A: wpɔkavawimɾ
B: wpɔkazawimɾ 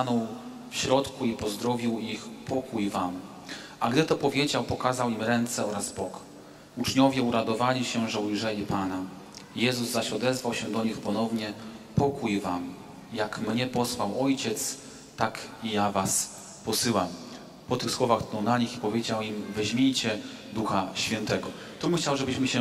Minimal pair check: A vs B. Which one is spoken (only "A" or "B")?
B